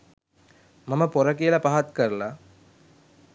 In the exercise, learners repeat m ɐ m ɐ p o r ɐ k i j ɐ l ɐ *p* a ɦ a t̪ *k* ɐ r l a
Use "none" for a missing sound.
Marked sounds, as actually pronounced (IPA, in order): p, k

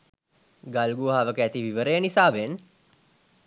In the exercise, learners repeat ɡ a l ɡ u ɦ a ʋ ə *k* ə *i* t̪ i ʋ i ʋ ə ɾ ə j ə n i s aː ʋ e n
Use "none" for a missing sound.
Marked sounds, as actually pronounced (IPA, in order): k, æ

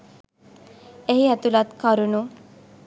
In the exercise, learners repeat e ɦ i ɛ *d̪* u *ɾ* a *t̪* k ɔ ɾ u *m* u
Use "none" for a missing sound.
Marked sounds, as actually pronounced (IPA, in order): t̪, l, t̪, n

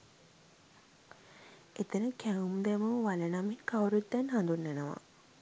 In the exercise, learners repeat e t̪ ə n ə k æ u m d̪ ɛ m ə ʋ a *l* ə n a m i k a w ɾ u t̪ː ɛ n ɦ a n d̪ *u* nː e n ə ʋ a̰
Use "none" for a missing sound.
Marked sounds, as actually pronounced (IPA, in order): l, u

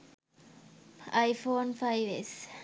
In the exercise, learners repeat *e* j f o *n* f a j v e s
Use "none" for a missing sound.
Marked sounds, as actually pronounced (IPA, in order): a, n

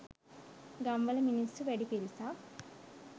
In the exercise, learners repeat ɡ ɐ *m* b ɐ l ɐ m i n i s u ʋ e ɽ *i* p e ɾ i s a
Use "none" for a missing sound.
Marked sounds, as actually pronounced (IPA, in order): m, i

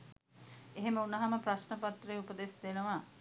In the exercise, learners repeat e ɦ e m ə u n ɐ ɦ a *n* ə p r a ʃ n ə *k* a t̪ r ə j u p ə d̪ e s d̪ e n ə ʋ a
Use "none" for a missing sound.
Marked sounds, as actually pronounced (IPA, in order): m, p

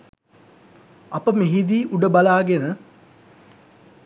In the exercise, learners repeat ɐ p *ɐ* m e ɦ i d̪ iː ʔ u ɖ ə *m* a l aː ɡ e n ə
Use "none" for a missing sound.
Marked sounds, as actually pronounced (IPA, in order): ə, b

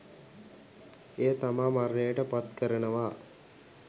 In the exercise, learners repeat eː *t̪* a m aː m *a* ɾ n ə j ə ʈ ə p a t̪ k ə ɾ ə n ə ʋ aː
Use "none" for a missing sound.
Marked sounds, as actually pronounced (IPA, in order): t̪, a

